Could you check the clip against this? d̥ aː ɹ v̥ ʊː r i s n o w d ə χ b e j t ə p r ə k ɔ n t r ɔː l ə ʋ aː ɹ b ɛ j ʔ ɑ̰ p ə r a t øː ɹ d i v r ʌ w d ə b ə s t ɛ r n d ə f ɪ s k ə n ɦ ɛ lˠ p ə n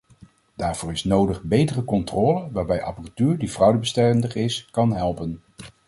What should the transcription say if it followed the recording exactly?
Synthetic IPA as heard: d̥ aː ɹ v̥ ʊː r ɪ s n o w d ə χ b e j t ə r ə k ɔ n t r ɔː l ə ʋ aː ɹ b ɛ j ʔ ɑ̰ p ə r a t yː ɹ d i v r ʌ w d ə b ə s t ɛ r n d ə χ ɪ s k ɑ n ɦ ɛ lˠ p ə n